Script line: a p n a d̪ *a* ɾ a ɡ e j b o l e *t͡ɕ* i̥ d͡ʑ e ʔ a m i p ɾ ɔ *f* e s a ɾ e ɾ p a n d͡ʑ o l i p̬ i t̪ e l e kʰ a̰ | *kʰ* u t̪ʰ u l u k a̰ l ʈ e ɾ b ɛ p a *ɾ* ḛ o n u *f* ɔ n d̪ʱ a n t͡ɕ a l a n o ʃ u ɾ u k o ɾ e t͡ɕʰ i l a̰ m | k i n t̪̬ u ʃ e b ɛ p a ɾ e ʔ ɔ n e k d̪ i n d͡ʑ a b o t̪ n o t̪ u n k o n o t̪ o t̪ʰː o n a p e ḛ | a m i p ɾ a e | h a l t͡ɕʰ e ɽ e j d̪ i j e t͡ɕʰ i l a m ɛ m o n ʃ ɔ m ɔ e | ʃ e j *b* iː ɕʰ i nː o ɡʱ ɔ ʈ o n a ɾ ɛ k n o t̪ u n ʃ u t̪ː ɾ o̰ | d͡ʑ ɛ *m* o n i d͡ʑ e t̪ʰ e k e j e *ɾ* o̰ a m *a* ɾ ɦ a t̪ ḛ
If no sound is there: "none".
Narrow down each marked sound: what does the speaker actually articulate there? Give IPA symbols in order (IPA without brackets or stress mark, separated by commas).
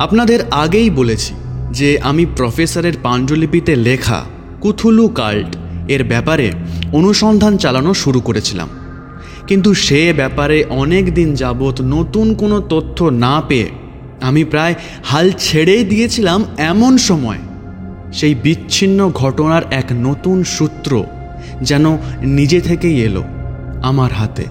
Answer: e, t͡ɕʰ, f, k, ɾ, ʃ, b, n, l, a